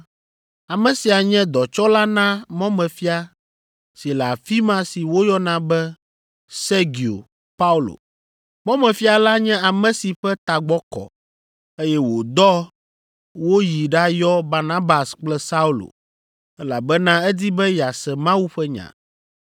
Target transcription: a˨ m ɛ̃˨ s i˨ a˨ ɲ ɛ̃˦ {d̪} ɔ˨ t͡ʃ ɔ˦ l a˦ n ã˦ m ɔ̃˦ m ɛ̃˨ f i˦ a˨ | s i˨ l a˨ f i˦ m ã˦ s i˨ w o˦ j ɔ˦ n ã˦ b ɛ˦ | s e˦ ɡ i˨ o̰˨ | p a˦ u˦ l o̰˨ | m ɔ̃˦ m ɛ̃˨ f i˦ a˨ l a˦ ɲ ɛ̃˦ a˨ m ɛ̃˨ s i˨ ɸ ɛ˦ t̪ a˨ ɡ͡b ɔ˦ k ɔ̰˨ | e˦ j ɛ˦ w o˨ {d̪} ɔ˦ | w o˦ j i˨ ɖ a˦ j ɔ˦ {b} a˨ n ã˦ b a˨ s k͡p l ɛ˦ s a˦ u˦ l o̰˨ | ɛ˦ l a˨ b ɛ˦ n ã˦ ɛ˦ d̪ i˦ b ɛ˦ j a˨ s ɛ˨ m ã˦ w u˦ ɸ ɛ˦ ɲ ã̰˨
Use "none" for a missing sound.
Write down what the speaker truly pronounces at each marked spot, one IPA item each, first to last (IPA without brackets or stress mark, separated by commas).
d̪, d̪, b